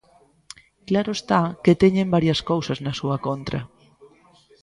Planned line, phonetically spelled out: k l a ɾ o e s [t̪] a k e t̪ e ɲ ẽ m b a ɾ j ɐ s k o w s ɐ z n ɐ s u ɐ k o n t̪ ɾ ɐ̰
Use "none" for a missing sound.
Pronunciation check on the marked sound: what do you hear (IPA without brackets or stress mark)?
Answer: t̪